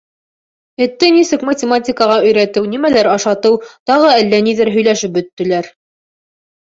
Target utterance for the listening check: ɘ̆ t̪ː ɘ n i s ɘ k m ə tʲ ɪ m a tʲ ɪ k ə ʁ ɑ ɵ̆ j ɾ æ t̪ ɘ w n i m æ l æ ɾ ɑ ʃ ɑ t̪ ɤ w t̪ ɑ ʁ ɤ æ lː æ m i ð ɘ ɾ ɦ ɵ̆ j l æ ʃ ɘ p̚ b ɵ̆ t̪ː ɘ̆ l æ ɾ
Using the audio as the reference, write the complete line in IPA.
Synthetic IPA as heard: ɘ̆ t̪ː ɘ n i s ɘ k m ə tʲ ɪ m a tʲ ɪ k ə ʁ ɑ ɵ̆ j ɾ æ t̪ ɘ w n i m æ l æ ɾ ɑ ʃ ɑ t̪ ɤ w t̪ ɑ ʁ ɤ æ lː æ n i ð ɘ ɾ ɦ ɵ̆ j l æ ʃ ɘ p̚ b ɵ̆ t̪ː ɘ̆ l æ ɾ